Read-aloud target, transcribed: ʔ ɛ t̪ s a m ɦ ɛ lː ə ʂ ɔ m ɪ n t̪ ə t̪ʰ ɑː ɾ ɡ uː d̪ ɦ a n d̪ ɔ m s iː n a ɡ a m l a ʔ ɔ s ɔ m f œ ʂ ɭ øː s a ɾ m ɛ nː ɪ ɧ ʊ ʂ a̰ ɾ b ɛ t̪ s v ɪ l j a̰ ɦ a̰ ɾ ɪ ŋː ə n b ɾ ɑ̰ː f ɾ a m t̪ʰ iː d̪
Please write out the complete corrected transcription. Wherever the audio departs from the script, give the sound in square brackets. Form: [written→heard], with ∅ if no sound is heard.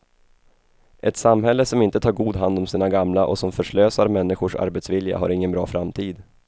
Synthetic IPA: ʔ ɛ t̪ s a m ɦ ɛ lː ə [ʂ→s] ɔ m ɪ n t̪ ə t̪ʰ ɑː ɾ ɡ uː d̪ ɦ a n d̪ ɔ m s iː n a ɡ a m l a ʔ ɔ s ɔ m f œ ʂ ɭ øː s a ɾ m ɛ nː ɪ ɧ ʊ ʂ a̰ ɾ b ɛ t̪ s v ɪ l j a̰ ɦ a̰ ɾ ɪ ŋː ə n b ɾ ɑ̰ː f ɾ a m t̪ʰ iː d̪